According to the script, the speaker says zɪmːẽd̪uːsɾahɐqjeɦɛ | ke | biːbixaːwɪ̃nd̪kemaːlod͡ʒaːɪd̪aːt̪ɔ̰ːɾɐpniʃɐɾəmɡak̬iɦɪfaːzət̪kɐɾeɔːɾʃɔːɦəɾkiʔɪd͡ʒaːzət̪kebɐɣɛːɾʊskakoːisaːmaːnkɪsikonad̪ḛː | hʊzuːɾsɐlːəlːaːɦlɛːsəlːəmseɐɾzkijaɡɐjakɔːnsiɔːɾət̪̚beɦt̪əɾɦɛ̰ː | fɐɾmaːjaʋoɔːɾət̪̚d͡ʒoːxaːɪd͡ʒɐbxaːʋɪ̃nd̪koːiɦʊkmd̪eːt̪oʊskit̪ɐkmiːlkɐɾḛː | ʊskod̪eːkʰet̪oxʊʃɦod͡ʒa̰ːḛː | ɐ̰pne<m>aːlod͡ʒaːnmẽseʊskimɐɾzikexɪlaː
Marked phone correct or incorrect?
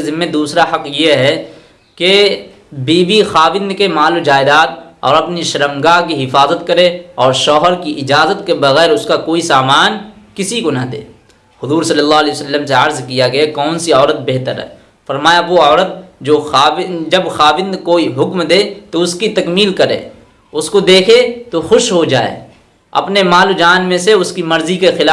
correct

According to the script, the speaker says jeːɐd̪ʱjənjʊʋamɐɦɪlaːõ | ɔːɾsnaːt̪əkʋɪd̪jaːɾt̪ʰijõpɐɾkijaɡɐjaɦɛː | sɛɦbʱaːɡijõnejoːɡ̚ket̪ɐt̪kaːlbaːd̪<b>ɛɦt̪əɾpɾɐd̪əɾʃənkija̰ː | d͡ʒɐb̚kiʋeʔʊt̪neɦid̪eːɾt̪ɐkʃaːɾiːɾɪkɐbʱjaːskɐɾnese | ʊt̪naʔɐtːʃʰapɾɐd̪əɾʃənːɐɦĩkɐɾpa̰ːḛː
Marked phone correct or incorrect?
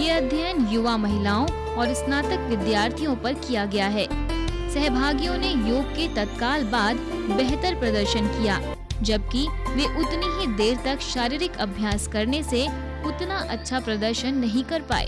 correct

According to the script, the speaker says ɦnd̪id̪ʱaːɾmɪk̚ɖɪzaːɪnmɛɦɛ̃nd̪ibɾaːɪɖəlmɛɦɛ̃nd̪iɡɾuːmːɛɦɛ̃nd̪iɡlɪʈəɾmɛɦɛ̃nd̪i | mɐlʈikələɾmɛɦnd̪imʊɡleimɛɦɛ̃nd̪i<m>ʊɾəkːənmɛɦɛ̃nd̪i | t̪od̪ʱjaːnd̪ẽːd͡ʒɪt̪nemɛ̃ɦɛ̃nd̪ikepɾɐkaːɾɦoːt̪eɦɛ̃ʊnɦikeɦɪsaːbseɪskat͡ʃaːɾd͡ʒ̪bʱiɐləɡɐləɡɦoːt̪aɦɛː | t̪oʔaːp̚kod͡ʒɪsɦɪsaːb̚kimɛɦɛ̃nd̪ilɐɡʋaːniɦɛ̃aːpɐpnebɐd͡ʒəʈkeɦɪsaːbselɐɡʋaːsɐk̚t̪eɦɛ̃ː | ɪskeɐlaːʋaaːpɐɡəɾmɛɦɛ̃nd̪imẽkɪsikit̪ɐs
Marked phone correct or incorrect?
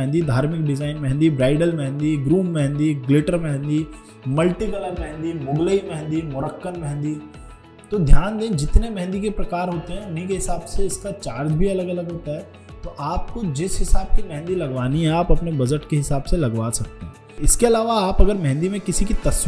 correct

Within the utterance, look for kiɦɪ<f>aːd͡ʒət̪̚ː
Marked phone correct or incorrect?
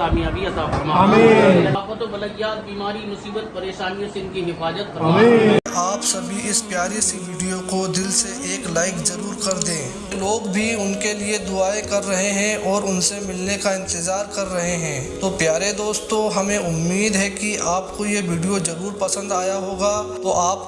correct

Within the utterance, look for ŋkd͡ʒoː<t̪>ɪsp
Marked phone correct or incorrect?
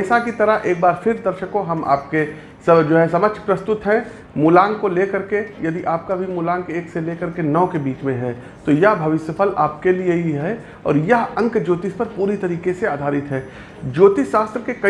correct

